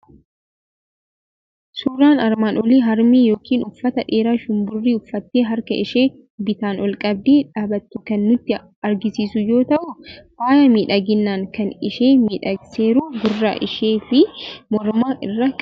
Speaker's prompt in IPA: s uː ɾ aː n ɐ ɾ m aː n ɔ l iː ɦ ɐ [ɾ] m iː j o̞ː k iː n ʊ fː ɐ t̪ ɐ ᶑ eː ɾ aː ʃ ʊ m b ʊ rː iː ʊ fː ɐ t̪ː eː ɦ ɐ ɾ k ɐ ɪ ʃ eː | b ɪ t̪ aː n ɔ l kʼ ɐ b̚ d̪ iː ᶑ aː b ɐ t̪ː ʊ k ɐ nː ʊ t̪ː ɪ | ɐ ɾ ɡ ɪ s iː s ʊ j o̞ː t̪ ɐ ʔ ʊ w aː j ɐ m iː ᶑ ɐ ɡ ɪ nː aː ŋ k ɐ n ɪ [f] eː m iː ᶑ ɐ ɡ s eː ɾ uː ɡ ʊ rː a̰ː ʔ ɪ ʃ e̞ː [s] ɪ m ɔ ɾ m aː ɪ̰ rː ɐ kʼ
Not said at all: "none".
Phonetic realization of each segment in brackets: ɾ, ʃ, f

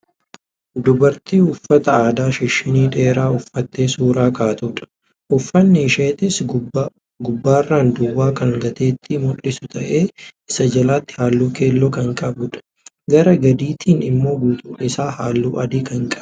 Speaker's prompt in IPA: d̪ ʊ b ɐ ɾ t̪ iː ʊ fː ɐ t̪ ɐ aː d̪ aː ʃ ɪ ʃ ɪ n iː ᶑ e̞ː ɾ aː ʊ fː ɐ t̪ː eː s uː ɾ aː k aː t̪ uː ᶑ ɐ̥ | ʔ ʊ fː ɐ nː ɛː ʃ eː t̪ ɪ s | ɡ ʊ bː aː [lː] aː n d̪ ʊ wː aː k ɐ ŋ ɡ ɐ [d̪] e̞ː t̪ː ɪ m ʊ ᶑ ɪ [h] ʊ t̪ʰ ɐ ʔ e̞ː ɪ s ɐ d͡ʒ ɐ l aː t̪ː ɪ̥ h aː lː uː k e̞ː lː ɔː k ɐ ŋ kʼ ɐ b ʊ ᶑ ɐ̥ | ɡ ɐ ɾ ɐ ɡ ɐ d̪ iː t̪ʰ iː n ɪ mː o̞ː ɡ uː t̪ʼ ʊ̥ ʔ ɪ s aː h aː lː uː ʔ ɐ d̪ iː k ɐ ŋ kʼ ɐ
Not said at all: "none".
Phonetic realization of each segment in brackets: rː, t̪, s

